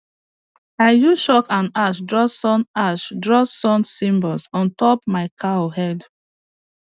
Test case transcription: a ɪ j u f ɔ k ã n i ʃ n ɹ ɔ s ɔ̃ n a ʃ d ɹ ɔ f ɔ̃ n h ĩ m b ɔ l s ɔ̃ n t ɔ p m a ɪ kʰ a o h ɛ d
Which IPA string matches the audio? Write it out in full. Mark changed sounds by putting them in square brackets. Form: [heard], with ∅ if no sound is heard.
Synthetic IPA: a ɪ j u [ʃ] ɔ k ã n [a] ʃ [d] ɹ ɔ s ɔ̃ n a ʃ d ɹ ɔ [s] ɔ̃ n [s] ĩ m b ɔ l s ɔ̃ n t ɔ p m a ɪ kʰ a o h ɛ d